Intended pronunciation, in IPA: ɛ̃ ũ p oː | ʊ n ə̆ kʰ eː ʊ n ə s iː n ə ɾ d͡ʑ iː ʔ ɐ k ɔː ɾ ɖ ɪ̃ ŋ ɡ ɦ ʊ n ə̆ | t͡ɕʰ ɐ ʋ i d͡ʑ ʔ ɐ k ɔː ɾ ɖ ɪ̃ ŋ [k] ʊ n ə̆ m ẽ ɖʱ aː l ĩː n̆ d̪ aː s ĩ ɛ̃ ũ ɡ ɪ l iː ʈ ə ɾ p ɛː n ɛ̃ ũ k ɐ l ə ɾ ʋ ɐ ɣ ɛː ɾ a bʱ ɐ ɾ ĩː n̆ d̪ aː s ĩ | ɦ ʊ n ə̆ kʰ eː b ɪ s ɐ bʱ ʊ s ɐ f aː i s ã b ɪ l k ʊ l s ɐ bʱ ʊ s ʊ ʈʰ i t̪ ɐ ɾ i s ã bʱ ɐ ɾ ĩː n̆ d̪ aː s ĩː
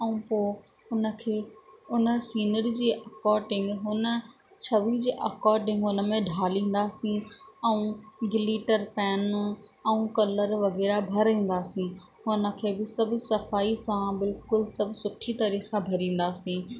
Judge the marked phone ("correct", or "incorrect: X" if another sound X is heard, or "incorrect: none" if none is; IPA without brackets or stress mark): incorrect: ɡ